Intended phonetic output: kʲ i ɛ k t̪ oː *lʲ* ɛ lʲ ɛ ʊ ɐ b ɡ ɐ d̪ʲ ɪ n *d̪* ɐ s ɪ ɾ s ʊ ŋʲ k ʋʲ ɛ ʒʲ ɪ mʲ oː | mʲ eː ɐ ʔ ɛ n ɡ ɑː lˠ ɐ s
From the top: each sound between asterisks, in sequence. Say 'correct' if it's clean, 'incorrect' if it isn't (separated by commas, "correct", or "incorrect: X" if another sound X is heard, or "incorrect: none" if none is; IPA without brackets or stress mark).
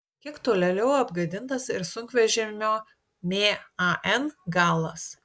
correct, incorrect: t̪